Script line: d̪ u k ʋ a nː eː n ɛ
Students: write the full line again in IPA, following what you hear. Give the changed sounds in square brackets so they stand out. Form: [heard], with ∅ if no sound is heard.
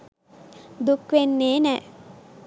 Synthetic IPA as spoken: d̪ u k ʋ [e] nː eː n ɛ